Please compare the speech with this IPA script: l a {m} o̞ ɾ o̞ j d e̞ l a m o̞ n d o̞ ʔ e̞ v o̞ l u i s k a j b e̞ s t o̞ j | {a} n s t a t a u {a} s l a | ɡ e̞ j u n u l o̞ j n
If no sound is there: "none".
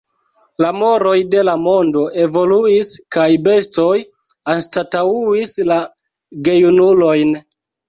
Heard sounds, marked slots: m, a, i

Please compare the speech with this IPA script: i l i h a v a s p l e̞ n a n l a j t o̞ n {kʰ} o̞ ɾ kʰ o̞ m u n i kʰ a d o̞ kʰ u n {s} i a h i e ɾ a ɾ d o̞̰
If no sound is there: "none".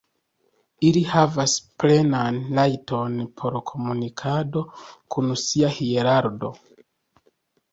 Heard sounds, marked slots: pʰ, s

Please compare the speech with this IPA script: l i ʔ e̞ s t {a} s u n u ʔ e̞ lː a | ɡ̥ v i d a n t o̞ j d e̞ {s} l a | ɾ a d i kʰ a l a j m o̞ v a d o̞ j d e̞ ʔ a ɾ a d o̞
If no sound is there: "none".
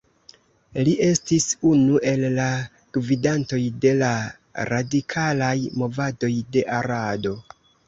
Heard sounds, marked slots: i, none

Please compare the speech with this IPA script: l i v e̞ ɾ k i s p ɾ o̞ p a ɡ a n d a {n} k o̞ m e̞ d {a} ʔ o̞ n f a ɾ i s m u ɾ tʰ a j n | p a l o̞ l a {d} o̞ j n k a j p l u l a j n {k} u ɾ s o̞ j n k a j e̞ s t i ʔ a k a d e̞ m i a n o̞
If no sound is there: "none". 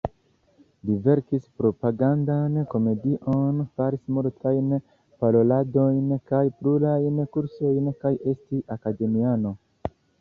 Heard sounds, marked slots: n, i, d, k

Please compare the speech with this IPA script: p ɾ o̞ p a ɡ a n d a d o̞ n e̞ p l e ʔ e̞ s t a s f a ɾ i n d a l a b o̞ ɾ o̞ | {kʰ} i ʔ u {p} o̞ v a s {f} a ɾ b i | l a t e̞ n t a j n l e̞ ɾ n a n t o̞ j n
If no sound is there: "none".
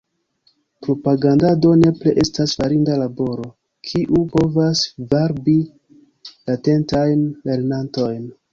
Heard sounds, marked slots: kʰ, p, v

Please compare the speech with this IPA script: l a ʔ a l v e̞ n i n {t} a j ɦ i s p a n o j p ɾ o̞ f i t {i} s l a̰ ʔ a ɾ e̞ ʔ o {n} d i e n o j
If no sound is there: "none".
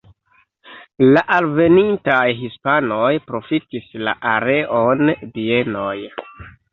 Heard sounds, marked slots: t, i, n

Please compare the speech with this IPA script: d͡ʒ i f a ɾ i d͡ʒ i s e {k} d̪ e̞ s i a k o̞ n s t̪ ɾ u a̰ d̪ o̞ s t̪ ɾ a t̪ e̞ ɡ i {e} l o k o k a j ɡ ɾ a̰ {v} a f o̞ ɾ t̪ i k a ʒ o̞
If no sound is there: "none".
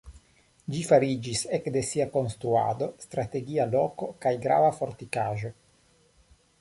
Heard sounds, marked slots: k, a, v

